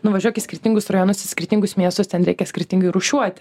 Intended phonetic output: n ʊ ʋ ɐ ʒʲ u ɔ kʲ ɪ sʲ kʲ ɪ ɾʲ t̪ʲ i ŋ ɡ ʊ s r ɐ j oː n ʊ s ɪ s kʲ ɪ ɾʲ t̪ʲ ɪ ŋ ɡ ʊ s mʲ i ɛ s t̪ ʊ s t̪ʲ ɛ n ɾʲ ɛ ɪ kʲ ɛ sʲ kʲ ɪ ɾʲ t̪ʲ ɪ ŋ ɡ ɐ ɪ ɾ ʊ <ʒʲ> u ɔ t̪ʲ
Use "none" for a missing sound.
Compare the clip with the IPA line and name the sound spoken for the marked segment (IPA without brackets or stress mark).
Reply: ʃʲ